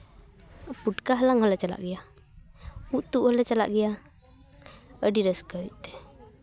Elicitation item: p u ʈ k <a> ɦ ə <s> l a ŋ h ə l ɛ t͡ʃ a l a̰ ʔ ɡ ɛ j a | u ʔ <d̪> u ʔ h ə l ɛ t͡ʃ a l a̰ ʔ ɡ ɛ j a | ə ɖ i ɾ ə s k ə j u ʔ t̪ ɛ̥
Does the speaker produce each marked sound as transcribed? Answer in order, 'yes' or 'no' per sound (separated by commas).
yes, no, no